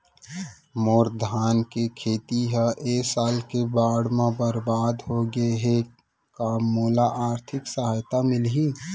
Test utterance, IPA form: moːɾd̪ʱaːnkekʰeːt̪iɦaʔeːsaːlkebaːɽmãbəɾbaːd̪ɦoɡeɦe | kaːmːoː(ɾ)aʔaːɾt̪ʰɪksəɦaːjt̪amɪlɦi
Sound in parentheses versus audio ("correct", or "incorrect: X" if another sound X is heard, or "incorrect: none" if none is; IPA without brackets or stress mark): incorrect: l